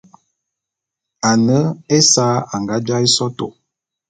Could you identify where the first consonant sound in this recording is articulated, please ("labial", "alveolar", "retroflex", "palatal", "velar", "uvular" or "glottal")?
alveolar